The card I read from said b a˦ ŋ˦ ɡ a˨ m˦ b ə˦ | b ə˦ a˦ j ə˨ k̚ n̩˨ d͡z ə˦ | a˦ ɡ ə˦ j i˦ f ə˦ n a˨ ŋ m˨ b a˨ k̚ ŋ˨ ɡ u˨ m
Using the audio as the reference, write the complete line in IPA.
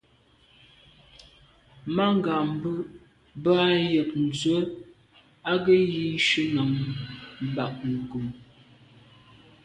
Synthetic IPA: m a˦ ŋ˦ ɡ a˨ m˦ b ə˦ | b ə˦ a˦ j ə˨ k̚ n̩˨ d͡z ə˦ | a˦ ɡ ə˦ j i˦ ʃ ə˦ n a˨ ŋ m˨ b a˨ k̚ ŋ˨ ɡ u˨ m